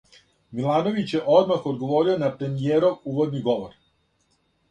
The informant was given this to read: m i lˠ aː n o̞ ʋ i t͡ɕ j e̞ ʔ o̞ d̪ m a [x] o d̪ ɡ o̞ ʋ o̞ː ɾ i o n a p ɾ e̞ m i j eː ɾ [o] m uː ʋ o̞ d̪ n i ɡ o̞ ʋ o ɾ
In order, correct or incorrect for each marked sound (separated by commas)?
correct, correct